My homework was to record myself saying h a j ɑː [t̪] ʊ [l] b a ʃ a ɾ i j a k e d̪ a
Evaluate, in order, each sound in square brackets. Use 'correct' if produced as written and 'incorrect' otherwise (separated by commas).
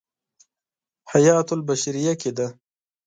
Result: correct, correct